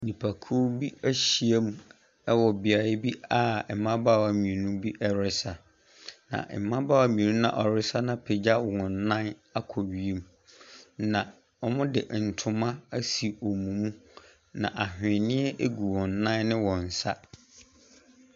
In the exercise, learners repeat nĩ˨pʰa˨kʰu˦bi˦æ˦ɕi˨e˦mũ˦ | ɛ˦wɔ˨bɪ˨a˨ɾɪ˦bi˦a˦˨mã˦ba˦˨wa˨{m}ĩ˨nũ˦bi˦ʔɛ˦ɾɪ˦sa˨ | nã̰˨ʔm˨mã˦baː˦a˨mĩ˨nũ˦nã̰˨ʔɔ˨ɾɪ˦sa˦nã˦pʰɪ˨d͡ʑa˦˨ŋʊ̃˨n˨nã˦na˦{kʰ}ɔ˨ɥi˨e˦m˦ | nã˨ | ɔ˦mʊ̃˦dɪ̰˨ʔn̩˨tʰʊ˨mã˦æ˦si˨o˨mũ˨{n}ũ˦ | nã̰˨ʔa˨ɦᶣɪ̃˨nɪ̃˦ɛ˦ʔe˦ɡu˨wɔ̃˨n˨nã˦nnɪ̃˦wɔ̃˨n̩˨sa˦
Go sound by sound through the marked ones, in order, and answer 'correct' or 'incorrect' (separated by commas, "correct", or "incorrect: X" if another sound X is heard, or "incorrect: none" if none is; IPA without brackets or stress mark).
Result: correct, correct, incorrect: m